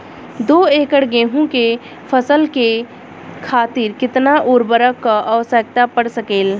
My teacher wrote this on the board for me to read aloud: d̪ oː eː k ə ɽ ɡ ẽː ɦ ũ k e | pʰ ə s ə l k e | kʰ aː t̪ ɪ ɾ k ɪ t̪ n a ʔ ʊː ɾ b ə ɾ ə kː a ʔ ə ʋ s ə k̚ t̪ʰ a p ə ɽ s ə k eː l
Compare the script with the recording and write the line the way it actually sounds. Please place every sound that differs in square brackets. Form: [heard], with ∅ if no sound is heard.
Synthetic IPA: d̪ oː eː k ə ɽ ɡ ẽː ɦ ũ k e | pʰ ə s ə l k e | kʰ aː t̪ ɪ ɾ k ɪ t̪ n a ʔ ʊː ɾ b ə ɾ ə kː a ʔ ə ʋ s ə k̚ [t̪] a p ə ɽ s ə k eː l